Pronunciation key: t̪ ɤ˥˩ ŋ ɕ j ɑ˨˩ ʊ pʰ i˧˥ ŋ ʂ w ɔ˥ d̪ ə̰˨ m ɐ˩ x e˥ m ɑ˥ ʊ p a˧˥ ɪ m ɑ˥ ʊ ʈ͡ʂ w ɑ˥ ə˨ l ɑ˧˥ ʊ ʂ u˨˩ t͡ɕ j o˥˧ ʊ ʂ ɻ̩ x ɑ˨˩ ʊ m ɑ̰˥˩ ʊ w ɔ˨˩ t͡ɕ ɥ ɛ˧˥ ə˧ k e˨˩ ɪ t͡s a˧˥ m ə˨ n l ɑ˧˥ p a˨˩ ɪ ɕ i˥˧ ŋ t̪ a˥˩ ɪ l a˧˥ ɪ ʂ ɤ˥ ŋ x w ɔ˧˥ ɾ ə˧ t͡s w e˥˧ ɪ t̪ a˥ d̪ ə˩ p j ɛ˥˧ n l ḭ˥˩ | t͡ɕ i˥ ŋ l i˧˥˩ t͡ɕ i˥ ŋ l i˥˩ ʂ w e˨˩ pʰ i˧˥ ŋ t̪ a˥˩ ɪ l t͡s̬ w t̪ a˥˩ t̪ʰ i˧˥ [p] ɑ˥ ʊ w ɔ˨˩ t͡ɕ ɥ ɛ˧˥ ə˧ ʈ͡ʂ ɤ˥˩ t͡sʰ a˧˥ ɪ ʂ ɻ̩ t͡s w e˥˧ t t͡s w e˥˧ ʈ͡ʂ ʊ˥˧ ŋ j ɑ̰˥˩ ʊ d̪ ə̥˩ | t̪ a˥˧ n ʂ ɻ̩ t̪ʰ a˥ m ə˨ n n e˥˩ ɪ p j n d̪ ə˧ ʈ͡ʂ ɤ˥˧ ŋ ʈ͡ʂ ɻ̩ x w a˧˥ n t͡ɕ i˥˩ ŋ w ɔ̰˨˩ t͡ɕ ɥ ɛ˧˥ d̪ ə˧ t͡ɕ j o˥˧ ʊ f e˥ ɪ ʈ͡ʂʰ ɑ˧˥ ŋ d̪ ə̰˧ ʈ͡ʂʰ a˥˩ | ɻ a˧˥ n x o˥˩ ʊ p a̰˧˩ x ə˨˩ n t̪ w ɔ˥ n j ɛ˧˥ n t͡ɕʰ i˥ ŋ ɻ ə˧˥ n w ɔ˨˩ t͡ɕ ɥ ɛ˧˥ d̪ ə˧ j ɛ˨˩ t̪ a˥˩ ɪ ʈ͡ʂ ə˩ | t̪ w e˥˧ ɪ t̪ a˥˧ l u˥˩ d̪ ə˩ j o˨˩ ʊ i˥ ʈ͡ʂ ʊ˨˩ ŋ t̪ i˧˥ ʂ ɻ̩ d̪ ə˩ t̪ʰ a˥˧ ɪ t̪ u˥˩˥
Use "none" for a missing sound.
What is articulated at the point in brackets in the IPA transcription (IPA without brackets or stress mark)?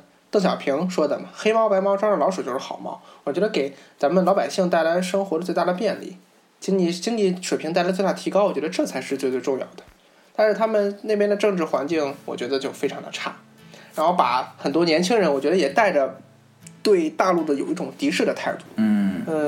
k